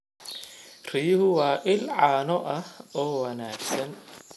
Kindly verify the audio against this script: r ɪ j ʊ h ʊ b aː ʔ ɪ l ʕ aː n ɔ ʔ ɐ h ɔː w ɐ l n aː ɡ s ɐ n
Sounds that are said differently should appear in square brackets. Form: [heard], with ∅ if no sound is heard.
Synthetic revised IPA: r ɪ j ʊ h ʊ [w] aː ʔ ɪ l ʕ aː n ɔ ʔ ɐ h ɔː w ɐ [∅] n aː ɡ s ɐ n